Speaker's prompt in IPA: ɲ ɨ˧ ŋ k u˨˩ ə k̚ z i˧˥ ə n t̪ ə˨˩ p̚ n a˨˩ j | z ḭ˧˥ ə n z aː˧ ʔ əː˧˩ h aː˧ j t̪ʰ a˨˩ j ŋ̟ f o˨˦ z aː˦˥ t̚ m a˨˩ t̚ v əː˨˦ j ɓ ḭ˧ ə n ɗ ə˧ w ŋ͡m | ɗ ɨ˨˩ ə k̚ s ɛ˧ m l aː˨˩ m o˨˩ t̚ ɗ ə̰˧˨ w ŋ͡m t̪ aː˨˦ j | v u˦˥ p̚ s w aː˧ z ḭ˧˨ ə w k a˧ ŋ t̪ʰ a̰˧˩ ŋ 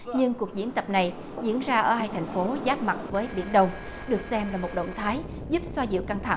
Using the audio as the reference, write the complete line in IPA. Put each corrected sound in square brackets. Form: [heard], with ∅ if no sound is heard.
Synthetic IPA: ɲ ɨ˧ ŋ k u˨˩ ə k̚ z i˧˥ ə n t̪ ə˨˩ p̚ n a˨˩ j | z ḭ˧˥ ə n z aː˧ ʔ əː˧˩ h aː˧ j t̪ʰ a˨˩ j ŋ̟ f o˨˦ z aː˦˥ [p̚] m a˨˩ t̚ v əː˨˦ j ɓ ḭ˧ ə n ɗ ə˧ w ŋ͡m | ɗ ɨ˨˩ ə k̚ s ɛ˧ m l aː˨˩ m o˨˩ t̚ ɗ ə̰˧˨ w ŋ͡m [t̪ʰ] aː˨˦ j | [z] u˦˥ p̚ s w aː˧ z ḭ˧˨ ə w k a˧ ŋ t̪ʰ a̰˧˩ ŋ